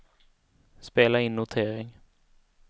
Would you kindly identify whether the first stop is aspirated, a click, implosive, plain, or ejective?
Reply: plain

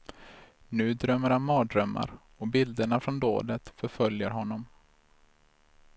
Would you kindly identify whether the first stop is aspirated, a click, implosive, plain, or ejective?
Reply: plain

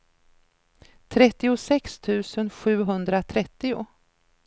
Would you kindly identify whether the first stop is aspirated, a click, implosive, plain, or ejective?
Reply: aspirated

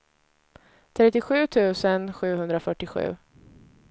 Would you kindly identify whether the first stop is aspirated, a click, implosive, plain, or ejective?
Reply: aspirated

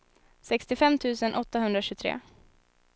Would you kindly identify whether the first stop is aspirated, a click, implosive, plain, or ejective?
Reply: plain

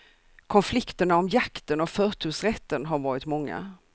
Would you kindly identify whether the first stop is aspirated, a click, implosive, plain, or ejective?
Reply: aspirated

